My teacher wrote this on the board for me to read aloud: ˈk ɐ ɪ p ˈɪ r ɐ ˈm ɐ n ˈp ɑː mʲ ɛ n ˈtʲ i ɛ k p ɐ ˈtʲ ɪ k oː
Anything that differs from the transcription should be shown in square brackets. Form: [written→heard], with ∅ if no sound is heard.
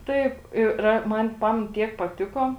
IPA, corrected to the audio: [ˈk→ˈt] ɐ ɪ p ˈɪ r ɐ ˈm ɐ n ˈp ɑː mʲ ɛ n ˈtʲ i ɛ k p ɐ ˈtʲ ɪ k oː